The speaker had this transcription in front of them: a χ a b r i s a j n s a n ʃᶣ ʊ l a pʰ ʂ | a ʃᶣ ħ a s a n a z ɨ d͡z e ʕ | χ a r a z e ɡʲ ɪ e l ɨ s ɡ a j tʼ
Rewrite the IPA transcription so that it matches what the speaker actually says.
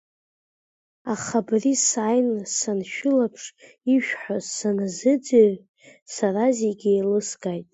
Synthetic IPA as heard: a χ a b r i s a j n s a n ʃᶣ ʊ l a pʰ ʂ | i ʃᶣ ħ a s a n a z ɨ d͡z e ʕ | s a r a z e ɡʲ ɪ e l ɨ s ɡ a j tʼ